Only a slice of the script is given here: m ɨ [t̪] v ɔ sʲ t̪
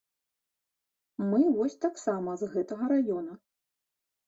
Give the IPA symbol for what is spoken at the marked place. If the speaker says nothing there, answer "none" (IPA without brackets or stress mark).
none